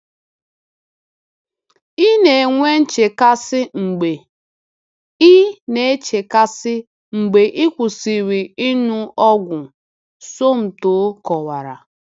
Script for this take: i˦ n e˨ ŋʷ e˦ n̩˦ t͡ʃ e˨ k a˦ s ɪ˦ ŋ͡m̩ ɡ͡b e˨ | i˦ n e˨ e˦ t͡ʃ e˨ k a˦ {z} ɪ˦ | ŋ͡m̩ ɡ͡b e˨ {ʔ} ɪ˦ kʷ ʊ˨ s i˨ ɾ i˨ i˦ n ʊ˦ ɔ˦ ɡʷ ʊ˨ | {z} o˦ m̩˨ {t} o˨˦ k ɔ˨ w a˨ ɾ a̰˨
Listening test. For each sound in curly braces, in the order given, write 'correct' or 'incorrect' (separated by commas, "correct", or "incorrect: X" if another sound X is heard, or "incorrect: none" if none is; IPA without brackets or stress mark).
incorrect: s, correct, incorrect: s, correct